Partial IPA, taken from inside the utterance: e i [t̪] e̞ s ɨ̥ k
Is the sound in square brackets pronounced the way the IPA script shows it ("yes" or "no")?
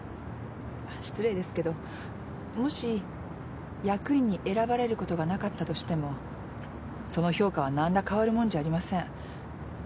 no